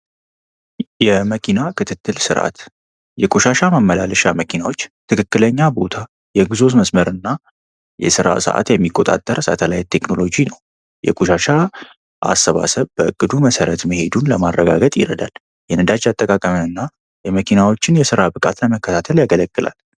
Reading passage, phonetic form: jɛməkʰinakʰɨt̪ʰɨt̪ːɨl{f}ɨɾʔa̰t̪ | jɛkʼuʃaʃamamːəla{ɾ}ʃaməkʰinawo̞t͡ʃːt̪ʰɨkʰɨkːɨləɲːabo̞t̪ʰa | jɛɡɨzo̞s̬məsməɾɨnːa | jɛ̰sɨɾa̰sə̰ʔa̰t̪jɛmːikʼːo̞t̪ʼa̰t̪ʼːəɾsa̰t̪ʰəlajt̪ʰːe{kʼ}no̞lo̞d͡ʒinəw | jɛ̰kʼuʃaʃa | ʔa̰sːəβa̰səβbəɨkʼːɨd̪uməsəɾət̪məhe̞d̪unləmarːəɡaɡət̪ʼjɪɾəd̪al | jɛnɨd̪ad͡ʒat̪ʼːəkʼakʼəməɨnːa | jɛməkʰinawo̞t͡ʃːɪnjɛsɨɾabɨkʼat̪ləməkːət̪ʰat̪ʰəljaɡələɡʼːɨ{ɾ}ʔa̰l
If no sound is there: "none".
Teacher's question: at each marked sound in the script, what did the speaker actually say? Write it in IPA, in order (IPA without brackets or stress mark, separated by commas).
s, l, k, l